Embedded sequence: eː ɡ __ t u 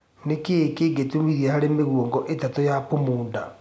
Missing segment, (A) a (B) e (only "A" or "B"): B